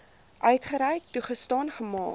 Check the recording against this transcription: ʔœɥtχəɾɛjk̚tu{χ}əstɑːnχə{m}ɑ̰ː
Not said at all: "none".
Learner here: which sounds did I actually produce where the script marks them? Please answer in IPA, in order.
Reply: χ, m

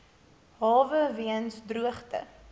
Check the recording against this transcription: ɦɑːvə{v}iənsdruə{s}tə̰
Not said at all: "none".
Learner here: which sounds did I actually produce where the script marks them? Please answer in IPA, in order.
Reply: v, χ

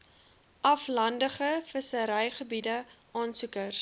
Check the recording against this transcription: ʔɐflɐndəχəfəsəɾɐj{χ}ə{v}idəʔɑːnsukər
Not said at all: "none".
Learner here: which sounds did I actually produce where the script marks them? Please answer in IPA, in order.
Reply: χ, b

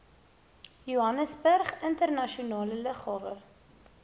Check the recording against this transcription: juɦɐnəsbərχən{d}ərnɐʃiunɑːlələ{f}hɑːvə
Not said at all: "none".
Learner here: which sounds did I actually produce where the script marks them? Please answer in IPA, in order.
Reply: t, χ

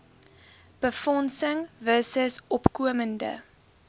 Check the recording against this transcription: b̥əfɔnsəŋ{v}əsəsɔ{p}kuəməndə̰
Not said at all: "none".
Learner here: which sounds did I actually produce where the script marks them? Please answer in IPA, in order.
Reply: v, p

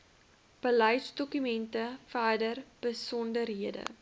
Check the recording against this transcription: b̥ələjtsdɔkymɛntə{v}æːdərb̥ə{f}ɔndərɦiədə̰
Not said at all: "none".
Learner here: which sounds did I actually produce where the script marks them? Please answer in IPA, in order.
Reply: f, s

